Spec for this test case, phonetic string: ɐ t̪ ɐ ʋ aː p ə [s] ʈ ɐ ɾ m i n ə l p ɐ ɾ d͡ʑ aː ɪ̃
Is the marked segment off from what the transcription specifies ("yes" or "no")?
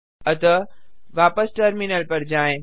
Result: no